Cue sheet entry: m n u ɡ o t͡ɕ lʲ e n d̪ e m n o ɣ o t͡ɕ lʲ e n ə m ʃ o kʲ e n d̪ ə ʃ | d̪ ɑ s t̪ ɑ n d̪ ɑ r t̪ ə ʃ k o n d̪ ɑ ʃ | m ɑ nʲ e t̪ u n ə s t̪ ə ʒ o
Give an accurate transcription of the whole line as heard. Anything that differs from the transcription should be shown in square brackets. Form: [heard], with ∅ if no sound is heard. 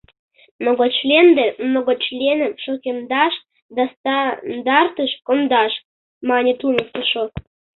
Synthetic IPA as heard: m n [o] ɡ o t͡ɕ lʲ e n d̪ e m n o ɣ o t͡ɕ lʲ e n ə m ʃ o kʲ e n d̪ [ɑ] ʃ | d̪ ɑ s t̪ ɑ n d̪ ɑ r t̪ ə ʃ k o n d̪ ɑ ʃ | m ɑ nʲ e t̪ u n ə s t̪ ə [ʃ] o